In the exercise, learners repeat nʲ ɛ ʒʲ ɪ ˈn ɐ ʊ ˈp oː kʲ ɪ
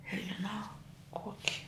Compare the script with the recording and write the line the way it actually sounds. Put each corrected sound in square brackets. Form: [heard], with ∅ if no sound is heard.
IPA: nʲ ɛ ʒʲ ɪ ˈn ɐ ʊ [ˈk] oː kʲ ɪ